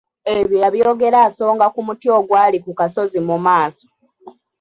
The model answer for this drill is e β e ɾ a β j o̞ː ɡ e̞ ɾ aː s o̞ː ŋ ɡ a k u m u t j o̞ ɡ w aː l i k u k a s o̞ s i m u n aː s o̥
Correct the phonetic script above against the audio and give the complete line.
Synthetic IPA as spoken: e β i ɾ a β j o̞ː ɡ e̞ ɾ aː s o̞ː ŋ ɡ a k u m u t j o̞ ɡ w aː l i k u k a s o̞ z i m u m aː s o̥